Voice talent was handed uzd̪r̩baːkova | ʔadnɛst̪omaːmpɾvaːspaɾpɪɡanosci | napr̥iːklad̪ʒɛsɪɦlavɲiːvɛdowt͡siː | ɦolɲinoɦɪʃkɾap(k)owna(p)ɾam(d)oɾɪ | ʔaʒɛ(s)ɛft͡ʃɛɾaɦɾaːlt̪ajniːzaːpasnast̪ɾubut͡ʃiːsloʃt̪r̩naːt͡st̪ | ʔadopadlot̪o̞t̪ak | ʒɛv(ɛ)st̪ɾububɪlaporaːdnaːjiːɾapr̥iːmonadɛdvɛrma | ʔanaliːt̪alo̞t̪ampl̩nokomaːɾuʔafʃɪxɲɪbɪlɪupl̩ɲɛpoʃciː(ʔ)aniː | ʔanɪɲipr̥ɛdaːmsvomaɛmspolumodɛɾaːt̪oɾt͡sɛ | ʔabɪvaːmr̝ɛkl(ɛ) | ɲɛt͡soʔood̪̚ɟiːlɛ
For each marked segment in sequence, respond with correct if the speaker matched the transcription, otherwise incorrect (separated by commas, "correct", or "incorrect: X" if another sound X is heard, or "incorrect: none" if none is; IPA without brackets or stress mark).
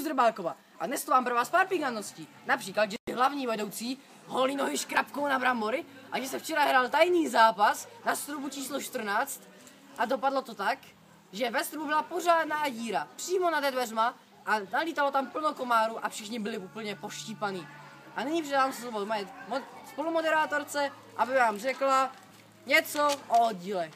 correct, incorrect: b, incorrect: b, correct, correct, incorrect: p, incorrect: a